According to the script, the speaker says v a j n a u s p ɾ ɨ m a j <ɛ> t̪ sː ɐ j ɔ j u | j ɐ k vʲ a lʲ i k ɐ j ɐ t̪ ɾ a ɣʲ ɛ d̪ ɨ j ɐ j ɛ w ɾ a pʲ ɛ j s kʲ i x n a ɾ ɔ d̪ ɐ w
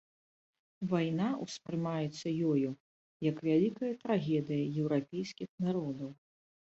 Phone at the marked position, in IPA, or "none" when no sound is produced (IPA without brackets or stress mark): ɛ